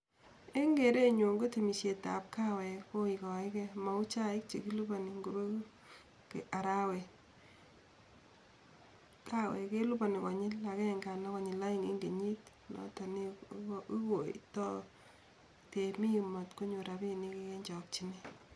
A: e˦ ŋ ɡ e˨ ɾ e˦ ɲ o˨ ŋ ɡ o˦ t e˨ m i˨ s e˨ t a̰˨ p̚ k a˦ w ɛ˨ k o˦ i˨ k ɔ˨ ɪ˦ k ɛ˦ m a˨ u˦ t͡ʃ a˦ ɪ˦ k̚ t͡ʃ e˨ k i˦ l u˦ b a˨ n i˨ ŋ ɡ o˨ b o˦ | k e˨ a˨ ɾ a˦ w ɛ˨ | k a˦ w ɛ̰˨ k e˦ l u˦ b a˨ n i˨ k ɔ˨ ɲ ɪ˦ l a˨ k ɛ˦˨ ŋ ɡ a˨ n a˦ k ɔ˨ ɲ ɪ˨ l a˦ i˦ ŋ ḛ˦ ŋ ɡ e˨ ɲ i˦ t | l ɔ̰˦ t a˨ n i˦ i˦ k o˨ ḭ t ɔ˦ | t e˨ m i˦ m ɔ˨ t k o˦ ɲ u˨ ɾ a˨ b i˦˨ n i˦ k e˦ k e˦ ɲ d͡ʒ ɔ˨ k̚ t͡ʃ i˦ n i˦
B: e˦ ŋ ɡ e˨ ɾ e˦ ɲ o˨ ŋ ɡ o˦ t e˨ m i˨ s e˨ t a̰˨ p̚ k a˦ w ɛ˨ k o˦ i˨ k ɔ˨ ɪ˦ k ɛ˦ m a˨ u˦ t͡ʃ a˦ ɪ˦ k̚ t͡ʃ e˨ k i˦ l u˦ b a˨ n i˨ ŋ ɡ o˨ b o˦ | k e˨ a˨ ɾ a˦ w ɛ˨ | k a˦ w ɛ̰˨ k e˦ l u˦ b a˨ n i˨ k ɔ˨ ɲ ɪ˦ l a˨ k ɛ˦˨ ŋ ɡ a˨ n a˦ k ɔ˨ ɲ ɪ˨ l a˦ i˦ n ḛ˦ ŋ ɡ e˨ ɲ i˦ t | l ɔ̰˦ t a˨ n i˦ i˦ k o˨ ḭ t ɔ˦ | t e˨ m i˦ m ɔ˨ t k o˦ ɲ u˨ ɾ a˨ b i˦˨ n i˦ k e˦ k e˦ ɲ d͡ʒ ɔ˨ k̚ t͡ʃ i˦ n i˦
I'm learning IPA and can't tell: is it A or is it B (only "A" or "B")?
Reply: A